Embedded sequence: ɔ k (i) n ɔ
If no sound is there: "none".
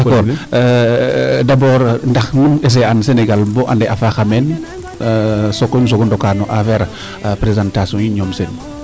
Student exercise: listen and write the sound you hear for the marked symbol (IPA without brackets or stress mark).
a